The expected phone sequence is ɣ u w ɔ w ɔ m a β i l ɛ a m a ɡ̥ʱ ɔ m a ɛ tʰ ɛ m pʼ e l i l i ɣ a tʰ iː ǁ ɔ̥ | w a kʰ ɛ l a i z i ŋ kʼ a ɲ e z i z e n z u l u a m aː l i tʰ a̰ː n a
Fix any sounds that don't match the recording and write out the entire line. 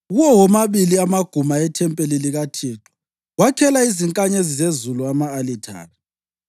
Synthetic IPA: ɣ u w ɔ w ɔ m a β i l i a m a ɡ̥ʱ u m a ɛ tʰ ɛ m pʼ e l i l i ɣ a tʰ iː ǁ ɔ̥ | w a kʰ ɛ l a i z i ŋ kʼ a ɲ e z i z e z u l u a m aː l i tʰ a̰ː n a